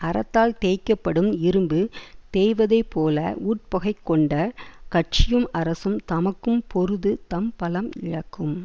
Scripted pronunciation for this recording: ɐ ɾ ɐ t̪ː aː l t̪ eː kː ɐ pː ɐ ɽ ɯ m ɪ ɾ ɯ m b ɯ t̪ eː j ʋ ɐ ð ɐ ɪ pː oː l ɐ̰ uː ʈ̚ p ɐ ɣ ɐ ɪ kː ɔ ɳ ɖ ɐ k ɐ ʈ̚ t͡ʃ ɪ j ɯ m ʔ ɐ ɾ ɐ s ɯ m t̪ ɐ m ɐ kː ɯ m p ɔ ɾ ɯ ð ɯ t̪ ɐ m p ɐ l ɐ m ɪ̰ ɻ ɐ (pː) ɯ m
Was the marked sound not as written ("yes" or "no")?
yes